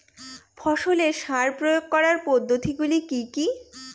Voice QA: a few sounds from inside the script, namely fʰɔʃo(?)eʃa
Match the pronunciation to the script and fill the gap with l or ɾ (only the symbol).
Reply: l